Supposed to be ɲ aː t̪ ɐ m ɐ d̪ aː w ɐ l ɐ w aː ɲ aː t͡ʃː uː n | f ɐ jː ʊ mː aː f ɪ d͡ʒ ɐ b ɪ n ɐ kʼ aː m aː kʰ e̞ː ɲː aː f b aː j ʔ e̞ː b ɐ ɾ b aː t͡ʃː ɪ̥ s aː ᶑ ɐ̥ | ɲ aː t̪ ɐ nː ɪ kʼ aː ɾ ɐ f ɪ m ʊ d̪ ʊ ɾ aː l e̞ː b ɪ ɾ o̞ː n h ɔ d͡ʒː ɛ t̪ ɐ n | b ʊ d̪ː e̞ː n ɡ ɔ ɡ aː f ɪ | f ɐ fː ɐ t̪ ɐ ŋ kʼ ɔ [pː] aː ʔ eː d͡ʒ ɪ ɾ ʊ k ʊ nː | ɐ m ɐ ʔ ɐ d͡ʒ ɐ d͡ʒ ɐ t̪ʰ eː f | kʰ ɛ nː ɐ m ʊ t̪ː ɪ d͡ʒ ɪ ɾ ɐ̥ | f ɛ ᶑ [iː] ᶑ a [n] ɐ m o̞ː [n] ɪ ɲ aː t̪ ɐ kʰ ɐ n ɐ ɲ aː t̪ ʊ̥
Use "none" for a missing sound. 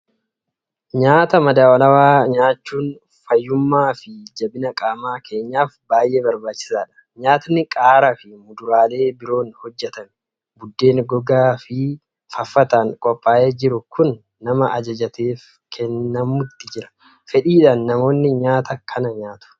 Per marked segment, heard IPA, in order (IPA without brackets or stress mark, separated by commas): pʼː, iː, nː, nː